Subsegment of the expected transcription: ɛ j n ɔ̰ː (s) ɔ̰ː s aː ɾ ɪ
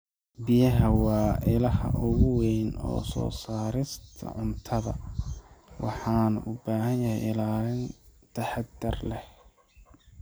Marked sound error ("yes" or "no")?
no